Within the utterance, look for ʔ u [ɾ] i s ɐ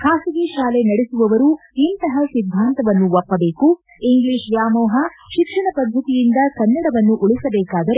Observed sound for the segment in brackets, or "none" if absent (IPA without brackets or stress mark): ɭ